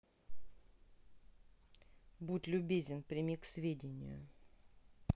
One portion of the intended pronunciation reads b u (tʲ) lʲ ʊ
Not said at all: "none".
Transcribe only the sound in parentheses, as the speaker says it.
tʲ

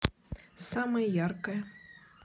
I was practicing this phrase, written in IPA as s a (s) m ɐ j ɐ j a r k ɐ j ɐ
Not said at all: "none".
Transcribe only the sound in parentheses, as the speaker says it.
none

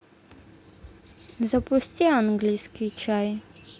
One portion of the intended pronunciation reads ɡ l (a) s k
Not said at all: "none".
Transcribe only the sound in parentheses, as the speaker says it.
i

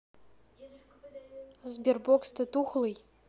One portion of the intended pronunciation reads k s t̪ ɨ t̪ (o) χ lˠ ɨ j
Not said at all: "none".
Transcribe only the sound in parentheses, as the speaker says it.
u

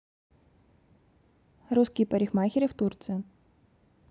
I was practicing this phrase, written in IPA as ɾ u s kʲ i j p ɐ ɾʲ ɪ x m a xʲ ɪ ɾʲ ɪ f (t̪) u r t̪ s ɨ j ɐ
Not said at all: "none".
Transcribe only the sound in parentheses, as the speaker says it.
t̪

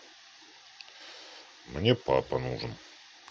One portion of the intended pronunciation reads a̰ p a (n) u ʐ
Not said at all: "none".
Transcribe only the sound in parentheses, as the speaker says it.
n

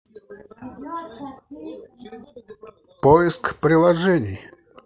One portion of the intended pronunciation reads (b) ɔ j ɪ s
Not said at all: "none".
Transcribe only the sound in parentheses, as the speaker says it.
p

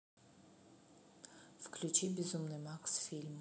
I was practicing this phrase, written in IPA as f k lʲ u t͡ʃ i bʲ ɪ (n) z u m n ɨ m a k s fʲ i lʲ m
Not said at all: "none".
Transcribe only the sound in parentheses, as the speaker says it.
none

